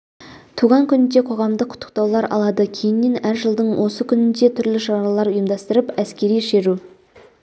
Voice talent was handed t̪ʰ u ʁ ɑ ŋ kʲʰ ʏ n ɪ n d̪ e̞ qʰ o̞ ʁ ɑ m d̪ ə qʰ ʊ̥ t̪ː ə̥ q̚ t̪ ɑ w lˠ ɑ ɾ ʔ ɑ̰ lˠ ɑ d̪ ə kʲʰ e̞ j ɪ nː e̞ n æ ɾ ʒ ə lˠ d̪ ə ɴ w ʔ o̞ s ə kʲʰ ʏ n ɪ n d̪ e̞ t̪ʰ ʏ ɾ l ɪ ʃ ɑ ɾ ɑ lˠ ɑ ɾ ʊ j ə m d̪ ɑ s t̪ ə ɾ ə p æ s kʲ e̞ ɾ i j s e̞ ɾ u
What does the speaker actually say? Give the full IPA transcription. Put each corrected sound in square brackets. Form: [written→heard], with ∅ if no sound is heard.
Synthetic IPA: t̪ʰ u ʁ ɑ ŋ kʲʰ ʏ n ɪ n d̪ e̞ qʰ o̞ ʁ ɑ m d̪ ə qʰ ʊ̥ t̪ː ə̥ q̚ t̪ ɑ w lˠ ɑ ɾ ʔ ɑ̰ lˠ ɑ d̪ ə kʲʰ e̞ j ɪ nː e̞ n æ ɾ ʒ ə lˠ d̪ ə ɴ w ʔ o̞ s ə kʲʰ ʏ n ɪ n d̪ e̞ t̪ʰ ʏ ɾ l ɪ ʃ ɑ ɾ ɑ lˠ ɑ ɾ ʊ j ə m d̪ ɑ s t̪ ə ɾ ə p æ s kʲ e̞ ɾ i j [s→ʃ] e̞ ɾ u